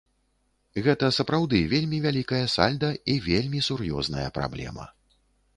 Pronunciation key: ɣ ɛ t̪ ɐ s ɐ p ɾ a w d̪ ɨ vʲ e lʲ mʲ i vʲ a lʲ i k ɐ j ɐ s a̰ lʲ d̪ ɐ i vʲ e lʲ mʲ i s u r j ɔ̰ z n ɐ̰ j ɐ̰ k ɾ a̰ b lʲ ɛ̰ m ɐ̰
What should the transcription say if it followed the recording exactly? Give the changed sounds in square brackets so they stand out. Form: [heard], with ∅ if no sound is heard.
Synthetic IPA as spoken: ɣ ɛ t̪ ɐ s ɐ p ɾ a w d̪ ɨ vʲ e lʲ mʲ i vʲ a lʲ i k ɐ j ɐ s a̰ lʲ d̪ ɐ i vʲ e lʲ mʲ i s u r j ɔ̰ z n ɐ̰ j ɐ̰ [p] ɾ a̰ b lʲ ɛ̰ m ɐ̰